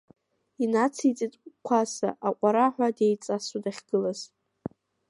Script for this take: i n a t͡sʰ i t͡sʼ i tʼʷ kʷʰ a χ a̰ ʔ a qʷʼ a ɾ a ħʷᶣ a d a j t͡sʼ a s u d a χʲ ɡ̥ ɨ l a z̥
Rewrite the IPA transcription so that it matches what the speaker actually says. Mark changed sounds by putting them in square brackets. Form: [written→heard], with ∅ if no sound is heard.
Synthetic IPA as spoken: i n a t͡sʰ i t͡sʼ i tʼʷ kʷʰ a [χ→s] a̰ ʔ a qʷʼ a ɾ a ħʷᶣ a d [a→e] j t͡sʼ a s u d a χʲ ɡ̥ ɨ l a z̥